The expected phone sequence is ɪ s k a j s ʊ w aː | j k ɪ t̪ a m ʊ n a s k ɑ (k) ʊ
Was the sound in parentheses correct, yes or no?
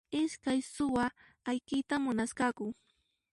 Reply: yes